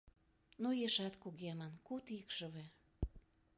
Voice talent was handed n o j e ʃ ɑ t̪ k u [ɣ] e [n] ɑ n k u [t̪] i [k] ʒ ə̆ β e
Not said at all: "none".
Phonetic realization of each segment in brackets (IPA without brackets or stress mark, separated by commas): ɣ, m, t̪, k